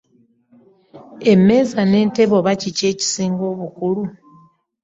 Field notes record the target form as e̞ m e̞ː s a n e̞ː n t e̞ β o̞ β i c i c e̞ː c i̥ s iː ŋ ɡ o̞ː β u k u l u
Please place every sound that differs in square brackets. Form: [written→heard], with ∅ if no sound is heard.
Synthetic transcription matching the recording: e̞ m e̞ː [s→z] a n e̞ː n t e̞ β o̞ β [i→a] c i c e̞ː c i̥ s iː ŋ ɡ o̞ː β u k u l u